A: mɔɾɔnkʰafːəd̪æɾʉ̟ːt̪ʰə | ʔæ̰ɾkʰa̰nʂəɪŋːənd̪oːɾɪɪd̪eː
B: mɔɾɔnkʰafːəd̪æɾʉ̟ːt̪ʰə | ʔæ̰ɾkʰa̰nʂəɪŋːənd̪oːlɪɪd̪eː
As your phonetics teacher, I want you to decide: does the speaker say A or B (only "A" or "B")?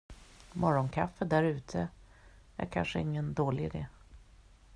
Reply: B